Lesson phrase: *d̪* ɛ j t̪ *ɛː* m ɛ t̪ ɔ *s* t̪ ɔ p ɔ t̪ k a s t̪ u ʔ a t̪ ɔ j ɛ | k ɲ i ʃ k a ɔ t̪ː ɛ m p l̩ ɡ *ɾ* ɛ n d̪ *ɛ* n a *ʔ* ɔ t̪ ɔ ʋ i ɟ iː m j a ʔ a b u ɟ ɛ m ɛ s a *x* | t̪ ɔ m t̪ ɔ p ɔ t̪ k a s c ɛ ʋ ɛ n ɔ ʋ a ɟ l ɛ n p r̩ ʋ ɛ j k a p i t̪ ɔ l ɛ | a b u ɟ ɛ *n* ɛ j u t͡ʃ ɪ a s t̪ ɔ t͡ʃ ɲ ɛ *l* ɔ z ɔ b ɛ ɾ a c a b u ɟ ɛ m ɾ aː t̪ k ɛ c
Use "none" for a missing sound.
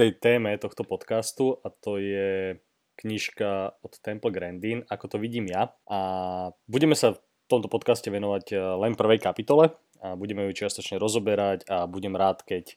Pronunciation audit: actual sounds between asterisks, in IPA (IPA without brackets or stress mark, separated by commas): t̪, ɛː, x, ɾ, i, k, f, m, ɾ